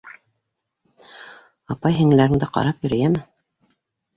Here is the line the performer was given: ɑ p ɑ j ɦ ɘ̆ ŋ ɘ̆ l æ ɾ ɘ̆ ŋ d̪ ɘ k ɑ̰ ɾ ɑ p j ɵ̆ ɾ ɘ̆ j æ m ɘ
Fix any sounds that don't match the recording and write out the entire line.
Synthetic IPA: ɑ p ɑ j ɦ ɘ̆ ŋ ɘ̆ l æ ɾ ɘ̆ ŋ d̪ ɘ q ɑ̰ ɾ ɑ p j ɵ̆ ɾ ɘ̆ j æ m ɘ